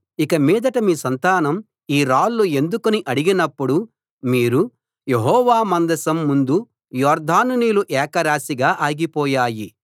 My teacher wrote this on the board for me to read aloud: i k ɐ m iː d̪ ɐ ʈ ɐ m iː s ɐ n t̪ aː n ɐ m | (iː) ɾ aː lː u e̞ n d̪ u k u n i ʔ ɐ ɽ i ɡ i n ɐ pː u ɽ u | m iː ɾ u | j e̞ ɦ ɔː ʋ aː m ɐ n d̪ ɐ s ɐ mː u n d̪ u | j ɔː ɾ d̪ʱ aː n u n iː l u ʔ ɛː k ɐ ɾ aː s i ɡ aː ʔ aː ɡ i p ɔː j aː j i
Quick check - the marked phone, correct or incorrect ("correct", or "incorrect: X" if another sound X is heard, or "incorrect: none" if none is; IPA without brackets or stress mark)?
correct